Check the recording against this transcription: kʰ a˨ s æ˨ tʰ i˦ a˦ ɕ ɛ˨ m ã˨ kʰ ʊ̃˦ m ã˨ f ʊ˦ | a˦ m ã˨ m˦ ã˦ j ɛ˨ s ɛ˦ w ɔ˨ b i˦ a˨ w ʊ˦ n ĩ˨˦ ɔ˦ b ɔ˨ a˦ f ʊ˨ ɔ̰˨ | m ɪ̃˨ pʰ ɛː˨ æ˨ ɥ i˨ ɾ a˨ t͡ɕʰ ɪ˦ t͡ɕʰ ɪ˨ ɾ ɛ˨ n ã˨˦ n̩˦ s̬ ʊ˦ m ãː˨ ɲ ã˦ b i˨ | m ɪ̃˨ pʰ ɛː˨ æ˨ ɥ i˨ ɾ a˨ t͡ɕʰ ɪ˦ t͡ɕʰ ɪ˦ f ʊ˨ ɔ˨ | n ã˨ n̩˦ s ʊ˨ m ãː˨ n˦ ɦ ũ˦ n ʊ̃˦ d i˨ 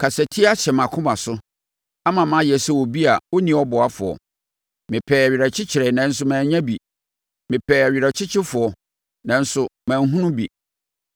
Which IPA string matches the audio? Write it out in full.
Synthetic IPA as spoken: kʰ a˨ s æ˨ tʰ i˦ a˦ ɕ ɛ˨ m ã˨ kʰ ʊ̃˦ m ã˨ s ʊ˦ | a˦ m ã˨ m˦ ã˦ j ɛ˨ s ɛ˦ w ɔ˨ b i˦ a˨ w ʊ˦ n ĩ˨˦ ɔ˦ b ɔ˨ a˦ f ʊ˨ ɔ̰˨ | m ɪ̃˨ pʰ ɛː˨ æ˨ ɥ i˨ ɾ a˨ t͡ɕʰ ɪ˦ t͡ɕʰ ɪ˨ ɾ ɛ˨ n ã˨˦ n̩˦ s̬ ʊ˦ m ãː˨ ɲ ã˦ b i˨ | m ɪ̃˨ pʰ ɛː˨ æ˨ ɥ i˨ ɾ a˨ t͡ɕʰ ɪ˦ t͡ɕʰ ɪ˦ f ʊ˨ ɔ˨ | n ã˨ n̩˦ s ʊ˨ m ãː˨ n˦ ɦ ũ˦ n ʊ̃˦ b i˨

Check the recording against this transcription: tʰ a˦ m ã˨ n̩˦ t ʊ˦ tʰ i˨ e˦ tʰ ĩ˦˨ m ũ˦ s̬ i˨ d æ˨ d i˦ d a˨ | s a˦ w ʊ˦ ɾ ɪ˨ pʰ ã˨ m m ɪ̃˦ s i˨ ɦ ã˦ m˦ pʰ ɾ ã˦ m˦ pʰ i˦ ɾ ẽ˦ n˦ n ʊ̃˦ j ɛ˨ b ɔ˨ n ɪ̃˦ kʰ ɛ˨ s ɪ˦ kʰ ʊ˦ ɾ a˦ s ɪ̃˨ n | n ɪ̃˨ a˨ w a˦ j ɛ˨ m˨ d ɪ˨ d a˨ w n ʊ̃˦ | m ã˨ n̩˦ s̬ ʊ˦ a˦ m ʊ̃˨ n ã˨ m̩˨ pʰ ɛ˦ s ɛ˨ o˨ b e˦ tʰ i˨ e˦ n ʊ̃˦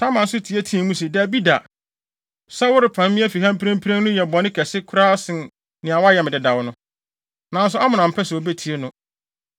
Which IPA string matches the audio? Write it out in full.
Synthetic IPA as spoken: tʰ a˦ m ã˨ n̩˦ s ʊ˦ tʰ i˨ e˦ tʰ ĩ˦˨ m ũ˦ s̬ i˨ d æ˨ b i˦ d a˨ | s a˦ w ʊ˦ ɾ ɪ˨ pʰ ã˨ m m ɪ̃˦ f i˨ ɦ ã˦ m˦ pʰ ɾ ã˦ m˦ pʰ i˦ ɾ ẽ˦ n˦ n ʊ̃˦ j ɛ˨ b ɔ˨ n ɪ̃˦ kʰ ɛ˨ s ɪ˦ kʰ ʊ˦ ɾ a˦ s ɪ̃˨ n | n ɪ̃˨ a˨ w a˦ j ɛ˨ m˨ d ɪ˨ d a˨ w n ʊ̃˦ | n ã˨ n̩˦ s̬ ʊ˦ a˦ m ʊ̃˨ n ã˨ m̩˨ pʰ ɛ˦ s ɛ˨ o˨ b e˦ tʰ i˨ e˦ n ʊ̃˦

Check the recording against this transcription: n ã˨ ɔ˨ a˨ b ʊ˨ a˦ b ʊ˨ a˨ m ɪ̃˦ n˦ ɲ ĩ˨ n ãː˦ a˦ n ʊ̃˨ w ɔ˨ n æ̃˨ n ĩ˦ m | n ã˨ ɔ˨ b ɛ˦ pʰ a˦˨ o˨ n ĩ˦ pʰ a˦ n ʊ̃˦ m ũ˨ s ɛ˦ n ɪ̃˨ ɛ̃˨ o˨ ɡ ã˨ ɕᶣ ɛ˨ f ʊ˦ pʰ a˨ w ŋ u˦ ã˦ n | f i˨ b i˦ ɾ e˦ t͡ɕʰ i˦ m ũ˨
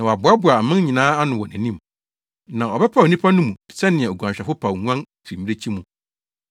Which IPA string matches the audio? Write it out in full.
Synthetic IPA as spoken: n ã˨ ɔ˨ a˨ b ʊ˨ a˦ b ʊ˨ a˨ m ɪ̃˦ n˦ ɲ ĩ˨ n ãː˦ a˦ n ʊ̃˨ w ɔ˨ n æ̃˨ n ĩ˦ m | n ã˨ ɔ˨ b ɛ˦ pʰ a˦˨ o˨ n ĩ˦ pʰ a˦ n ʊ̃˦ m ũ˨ s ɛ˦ n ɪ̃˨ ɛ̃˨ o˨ ɡ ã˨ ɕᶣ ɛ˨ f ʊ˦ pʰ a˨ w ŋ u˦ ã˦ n | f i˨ m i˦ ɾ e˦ t͡ɕʰ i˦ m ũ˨

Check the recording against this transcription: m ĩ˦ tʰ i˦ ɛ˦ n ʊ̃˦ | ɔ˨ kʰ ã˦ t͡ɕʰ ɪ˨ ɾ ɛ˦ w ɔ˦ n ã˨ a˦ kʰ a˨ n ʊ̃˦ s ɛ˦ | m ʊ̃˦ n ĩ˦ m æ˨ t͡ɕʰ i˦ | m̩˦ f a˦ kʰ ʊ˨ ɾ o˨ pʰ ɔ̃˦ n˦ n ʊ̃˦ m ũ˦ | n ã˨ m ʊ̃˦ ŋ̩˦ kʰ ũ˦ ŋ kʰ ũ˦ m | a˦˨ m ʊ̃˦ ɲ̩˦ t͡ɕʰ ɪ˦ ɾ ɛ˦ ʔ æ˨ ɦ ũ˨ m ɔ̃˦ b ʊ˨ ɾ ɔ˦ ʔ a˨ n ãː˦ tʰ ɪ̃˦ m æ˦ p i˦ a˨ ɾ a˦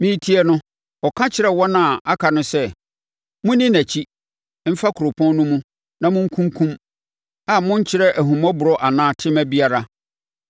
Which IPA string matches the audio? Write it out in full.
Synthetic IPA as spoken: m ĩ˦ tʰ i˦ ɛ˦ n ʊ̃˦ | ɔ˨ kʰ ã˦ t͡ɕʰ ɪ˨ ɾ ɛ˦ w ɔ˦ n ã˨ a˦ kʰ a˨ n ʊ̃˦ s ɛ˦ | m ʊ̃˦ n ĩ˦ n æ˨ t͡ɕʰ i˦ | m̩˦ f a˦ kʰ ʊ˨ ɾ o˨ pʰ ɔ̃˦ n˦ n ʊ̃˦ m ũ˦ | n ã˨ m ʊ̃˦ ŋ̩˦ kʰ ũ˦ ŋ kʰ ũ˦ m | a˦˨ m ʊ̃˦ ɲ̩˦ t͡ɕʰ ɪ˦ ɾ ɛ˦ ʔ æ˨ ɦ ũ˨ m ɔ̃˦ b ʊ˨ ɾ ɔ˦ ʔ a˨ n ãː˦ tʰ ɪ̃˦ m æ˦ b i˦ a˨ ɾ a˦

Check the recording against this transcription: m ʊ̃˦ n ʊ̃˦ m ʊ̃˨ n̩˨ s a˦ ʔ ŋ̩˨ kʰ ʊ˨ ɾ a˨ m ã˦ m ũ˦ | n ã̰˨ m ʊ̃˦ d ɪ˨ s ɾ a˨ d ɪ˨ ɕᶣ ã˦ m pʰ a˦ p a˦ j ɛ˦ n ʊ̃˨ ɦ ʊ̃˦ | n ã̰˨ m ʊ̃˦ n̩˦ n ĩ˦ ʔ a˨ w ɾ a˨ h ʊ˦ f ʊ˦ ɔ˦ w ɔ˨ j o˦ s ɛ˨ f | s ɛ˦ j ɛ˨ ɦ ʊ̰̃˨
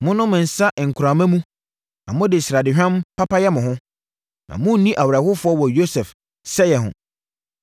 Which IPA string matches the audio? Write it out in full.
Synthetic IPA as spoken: m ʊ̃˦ n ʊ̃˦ m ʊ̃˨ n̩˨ s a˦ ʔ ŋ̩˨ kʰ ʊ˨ ɾ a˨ m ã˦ m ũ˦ | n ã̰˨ m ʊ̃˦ d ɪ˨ s ɾ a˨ d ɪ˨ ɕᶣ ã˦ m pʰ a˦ p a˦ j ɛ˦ m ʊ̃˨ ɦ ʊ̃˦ | n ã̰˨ m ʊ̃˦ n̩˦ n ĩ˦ ʔ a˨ w ɾ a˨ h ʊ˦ f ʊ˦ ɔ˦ w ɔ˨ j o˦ s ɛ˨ f | s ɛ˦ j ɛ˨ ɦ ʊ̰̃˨

